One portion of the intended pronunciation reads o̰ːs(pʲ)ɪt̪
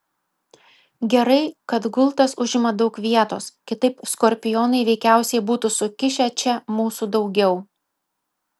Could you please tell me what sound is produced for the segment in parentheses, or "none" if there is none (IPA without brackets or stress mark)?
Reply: kʲ